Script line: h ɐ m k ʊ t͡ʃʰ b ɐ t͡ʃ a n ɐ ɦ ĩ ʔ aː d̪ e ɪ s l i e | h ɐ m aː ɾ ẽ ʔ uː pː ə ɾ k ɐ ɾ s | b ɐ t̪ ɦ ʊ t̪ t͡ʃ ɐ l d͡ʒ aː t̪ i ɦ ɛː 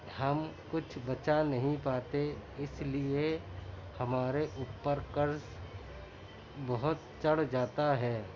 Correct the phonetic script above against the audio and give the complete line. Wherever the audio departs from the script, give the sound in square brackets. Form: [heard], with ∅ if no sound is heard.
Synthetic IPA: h ɐ m k ʊ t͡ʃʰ b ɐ t͡ʃ a n ɐ ɦ ĩ [p] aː [t̪] e ɪ s l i e | h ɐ m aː ɾ [e] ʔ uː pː ə ɾ k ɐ ɾ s | b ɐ [∅] ɦ ʊ t̪ t͡ʃ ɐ [ɽ] d͡ʒ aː t̪ [a] ɦ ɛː